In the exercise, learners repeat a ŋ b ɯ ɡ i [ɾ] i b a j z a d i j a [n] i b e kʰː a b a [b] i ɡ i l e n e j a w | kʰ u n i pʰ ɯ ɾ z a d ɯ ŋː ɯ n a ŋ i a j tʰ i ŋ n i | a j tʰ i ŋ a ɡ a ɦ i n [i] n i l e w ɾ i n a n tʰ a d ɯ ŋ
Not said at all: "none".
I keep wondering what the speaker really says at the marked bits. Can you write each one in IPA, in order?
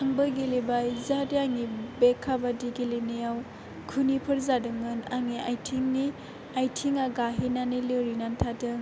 l, ŋ, d, a

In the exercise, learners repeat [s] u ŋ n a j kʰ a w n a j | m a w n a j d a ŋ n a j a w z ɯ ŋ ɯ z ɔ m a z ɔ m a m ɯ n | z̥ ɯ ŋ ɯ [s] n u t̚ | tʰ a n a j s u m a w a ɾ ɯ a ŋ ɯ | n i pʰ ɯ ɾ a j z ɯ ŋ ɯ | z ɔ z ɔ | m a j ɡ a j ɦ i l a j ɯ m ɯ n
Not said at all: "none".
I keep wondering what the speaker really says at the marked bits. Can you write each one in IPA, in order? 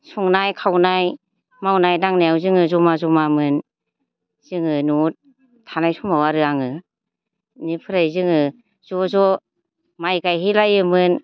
s, none

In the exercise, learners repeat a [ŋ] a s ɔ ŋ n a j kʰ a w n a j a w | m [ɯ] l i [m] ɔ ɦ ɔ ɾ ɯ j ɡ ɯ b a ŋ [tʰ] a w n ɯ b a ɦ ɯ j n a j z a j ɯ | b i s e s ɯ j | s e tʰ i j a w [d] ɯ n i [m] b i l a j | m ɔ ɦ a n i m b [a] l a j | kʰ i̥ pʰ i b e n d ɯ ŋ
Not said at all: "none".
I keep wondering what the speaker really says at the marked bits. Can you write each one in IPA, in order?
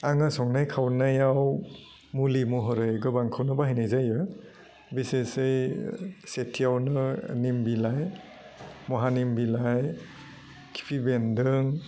ŋ, u, m, kʰ, n, m, i

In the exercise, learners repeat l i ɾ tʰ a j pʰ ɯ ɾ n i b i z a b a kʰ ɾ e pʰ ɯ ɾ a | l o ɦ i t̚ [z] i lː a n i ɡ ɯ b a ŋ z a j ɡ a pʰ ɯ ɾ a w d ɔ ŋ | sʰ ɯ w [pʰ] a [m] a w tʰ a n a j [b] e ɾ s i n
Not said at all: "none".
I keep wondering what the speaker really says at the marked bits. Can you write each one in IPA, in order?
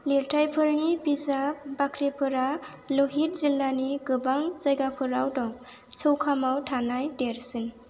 z, kʰ, m, d

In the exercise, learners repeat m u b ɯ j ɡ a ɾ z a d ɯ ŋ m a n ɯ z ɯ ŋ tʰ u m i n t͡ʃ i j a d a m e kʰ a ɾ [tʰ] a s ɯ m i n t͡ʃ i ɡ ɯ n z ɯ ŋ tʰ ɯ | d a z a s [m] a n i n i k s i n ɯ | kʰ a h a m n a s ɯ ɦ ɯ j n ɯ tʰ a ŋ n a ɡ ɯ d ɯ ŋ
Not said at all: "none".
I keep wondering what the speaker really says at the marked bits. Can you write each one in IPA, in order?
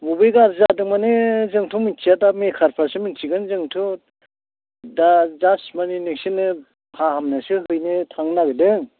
pʰ, m

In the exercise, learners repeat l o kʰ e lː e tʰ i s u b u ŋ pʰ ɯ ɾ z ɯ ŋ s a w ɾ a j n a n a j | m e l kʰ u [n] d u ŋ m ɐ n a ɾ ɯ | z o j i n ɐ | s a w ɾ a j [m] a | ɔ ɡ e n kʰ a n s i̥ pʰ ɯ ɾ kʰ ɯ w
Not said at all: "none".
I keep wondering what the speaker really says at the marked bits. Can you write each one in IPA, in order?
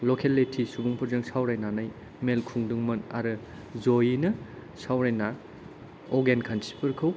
ŋ, n

